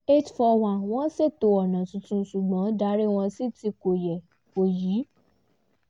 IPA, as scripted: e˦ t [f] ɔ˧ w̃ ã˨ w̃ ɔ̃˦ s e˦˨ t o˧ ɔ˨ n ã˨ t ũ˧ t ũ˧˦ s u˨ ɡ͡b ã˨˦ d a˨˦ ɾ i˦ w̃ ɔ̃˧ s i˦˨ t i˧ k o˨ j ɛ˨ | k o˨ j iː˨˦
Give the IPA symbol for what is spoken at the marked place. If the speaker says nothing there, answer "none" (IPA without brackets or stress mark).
f